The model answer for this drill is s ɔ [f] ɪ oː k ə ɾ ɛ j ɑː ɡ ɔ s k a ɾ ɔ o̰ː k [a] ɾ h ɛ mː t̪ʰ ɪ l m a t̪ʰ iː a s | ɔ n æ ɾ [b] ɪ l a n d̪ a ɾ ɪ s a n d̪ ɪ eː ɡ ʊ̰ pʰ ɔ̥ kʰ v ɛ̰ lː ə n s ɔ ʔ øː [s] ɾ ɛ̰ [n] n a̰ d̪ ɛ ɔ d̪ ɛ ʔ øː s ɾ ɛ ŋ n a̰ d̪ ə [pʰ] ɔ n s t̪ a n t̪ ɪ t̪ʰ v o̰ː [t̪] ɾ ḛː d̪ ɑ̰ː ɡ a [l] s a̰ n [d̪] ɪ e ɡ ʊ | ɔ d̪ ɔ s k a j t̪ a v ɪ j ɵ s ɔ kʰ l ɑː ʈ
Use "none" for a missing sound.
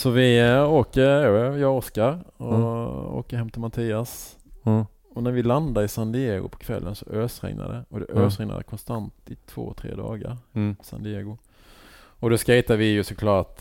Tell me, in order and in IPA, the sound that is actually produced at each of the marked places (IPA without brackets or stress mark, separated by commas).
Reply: v, ə, v, s, ŋ, kʰ, t̪ʰ, ɾ, d̪